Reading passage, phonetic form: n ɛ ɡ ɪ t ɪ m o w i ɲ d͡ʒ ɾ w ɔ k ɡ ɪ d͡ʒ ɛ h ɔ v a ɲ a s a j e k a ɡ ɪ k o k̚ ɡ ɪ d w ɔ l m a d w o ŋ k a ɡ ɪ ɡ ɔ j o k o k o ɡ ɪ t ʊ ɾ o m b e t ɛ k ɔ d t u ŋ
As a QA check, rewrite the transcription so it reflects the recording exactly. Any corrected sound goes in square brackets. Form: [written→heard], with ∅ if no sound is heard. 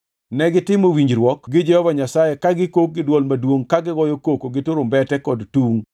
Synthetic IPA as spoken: n ɛ ɡ ɪ t ɪ m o w i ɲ d͡ʒ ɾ w ɔ k ɡ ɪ d͡ʒ ɛ h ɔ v a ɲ a s a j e k a ɡ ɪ k o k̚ ɡ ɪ d w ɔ l m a d w o ŋ k a ɡ ɪ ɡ ɔ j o k o k o ɡ ɪ t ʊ ɾ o m b [e→ɛ] t ɛ k ɔ d t u ŋ